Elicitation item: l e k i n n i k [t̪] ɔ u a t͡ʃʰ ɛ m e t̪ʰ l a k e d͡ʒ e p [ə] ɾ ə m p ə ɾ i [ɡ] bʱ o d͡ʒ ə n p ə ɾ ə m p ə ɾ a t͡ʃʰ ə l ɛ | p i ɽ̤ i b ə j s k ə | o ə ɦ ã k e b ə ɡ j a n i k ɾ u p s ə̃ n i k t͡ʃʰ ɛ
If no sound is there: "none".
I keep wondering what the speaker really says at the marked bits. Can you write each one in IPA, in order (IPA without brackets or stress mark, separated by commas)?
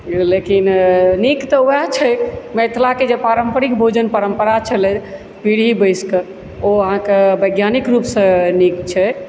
t̪, a, k